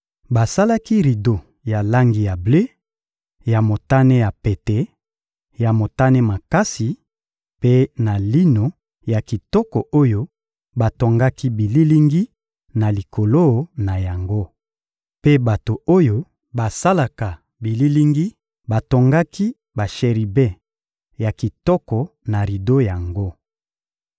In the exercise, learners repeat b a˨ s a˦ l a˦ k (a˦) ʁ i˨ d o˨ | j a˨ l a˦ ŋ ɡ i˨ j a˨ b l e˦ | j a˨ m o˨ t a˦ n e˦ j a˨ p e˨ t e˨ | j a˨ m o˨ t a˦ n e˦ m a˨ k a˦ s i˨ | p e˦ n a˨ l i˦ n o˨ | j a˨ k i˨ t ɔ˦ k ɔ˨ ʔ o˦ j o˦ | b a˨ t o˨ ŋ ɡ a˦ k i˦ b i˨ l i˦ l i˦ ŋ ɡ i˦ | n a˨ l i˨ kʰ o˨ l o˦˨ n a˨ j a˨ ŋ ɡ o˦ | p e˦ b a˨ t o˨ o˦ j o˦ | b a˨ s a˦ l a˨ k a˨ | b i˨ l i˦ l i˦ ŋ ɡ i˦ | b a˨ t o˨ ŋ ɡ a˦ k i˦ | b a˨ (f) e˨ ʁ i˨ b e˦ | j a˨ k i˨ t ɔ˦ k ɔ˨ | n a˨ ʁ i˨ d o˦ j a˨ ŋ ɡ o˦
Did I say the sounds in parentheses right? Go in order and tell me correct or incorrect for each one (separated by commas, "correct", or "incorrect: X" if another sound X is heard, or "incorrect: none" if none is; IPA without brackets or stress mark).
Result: incorrect: i˦, incorrect: ʃ